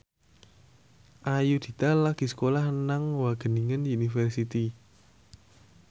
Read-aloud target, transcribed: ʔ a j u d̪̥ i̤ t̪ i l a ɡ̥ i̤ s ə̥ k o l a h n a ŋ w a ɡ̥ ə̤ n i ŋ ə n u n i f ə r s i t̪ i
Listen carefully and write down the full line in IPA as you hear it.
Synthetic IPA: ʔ a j u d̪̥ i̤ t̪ a l a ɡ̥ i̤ s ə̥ k o l a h n a ŋ w a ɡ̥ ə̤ n i ŋ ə n u n i f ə r s i t̪ i